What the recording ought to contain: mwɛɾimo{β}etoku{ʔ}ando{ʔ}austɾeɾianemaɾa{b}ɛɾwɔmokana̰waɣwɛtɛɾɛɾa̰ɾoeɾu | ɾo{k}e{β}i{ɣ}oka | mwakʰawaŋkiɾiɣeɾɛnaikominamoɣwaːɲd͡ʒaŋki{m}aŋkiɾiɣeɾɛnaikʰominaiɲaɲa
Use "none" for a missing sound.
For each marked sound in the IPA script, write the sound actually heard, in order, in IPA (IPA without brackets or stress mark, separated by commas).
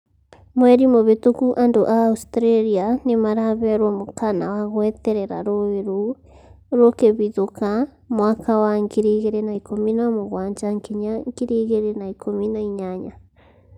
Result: β, ʔ, ʔ, β, k, β, ð, ɲ